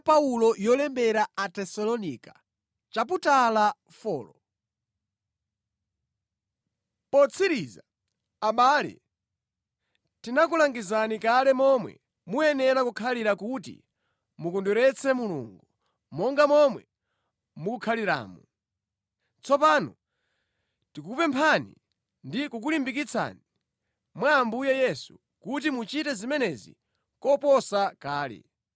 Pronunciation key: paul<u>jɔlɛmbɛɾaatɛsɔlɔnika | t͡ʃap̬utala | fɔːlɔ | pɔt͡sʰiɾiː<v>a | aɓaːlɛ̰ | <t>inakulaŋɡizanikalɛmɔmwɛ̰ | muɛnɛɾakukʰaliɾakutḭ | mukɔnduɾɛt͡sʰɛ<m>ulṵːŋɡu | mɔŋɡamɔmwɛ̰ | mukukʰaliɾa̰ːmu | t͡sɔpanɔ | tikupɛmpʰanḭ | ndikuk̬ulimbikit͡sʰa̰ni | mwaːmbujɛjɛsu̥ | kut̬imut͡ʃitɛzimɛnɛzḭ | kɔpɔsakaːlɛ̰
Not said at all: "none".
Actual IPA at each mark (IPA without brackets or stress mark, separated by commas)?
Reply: ɔ, z, t, m